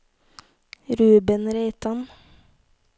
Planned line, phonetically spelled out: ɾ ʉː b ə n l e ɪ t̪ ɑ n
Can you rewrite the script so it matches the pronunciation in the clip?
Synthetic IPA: ɾ ʉː b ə n ɾ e ɪ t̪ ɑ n